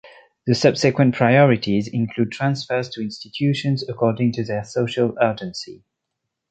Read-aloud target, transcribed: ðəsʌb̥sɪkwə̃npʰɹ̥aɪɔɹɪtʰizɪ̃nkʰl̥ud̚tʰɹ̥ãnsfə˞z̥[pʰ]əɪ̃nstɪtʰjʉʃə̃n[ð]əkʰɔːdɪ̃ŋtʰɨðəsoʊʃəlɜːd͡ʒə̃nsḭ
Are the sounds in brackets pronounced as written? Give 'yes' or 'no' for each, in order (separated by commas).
no, no